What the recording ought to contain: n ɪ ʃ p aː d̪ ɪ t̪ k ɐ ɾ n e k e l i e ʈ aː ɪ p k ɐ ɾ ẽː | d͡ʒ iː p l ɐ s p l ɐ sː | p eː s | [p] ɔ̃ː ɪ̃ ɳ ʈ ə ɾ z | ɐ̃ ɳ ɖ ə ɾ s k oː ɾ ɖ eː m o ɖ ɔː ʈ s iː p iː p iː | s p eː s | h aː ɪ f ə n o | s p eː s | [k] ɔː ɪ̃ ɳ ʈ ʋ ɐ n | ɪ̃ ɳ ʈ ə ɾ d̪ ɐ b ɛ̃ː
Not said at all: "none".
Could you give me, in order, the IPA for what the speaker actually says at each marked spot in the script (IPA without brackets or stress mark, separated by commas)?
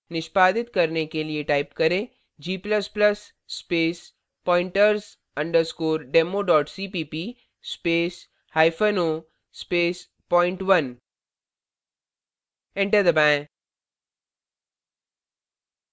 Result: p, p